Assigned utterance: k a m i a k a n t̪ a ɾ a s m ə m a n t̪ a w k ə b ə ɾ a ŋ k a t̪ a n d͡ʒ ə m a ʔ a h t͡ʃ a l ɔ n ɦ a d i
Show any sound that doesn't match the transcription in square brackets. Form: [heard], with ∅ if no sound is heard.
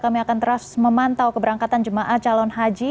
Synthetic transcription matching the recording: k a m i a k a n t̪ [ə] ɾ a s m ə m a n t̪ a w k ə b ə ɾ a ŋ k a t̪ a n d͡ʒ ə m a ʔ a h t͡ʃ a l ɔ n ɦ a [d͡ʒ] i